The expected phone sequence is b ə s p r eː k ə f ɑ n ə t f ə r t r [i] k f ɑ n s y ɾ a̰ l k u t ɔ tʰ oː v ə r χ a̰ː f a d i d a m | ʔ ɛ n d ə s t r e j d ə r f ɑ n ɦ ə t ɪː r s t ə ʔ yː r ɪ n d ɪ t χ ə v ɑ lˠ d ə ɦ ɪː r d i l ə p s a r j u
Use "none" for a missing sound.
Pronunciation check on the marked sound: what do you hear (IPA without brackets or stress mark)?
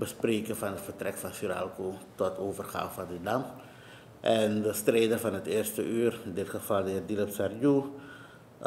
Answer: ɛ